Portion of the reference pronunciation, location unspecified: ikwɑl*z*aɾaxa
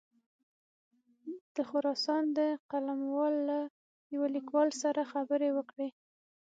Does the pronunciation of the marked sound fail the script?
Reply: yes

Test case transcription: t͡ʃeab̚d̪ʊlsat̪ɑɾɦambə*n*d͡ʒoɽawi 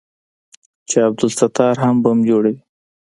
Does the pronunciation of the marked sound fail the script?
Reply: yes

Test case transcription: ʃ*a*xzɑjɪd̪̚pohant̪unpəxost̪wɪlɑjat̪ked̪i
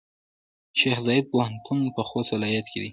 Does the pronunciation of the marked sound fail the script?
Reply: yes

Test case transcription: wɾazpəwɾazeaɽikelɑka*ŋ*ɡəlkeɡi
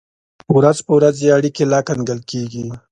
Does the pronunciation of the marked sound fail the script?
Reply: yes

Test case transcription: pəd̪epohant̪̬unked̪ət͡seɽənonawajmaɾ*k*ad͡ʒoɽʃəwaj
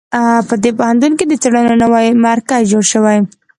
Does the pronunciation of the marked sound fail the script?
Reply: no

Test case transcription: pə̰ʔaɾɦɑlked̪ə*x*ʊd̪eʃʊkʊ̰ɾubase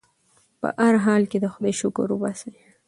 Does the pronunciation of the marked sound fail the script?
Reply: no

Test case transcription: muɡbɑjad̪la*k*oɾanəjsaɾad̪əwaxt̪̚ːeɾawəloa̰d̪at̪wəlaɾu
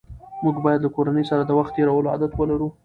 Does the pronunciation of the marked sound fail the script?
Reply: no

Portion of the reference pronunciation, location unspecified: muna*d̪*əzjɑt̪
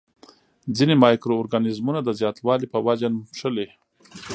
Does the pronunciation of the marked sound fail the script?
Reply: no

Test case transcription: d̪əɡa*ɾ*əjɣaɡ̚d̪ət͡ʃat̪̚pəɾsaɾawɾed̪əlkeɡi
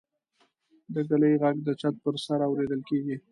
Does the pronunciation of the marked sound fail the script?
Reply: yes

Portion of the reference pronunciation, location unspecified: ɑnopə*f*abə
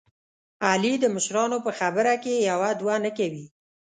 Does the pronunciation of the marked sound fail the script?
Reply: yes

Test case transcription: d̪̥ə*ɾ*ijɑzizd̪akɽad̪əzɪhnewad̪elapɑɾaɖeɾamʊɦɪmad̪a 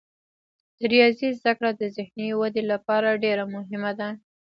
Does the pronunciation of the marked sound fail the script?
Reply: no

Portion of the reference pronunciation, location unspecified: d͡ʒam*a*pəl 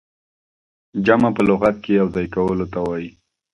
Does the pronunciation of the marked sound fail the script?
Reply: no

